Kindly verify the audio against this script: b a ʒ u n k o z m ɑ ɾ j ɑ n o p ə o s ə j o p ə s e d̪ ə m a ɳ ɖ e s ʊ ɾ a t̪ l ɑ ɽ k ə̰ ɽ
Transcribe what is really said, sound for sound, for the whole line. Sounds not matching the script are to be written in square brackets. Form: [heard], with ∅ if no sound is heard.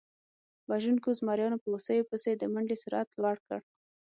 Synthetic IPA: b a ʒ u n k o z m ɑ ɾ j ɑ n o p ə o s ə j o p ə s e d̪ ə m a ɳ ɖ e s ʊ ɾ a t̪ l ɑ ɽ k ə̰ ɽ